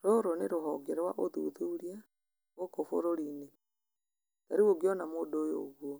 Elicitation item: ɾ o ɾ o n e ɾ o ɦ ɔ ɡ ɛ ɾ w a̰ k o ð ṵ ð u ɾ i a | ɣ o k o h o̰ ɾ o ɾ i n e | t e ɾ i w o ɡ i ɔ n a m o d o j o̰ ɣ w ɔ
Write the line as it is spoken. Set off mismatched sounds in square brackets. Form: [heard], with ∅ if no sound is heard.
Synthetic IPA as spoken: ɾ o ɾ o n e ɾ o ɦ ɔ ɡ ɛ ɾ w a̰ [ʔ] o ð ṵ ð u ɾ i a | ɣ o k o [f] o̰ ɾ o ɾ i n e | t [a] ɾ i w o ɡ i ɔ n a m o d o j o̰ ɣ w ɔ

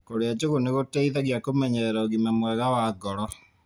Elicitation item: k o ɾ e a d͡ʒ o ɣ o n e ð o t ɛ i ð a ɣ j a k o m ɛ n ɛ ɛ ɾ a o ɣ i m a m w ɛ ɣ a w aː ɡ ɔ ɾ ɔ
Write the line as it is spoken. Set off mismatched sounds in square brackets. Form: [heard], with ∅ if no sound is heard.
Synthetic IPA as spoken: k o ɾ e a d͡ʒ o ɣ o n e [ɣ] o t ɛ i ð a ɣ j a k o m ɛ [ɲ] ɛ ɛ ɾ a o ɣ i m a m w ɛ ɣ a w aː ɡ ɔ ɾ ɔ

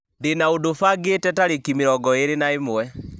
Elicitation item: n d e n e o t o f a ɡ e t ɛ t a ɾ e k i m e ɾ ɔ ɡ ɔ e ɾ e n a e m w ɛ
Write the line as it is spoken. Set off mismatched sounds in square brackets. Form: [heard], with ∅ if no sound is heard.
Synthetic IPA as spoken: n d e n [a] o [d] o f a ɡ e t ɛ t a ɾ e k i m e ɾ ɔ ɡ ɔ e ɾ e n a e m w ɛ

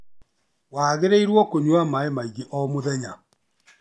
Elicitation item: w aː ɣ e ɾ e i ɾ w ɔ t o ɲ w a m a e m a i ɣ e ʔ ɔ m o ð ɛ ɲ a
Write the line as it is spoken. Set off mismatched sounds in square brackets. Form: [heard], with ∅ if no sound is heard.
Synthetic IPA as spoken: w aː ɣ e ɾ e i ɾ w ɔ [k] o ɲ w a m a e m a i ɣ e ʔ ɔ m o ð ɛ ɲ a

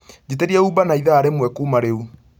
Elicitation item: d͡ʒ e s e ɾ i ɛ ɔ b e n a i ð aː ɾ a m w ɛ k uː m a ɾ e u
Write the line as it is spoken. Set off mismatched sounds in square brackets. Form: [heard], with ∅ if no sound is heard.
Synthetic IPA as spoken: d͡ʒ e [t] e ɾ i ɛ [u] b [a] n a i ð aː ɾ [e] m w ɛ k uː m a ɾ e u

